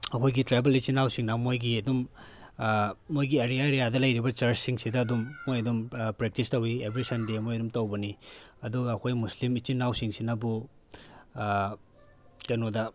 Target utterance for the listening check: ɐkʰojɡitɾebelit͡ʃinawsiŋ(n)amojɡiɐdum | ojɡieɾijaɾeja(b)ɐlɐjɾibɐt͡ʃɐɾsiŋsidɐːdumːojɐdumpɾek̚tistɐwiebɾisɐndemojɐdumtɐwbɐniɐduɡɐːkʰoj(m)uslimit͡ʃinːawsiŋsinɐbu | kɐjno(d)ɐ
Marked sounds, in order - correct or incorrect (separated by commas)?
correct, incorrect, correct, correct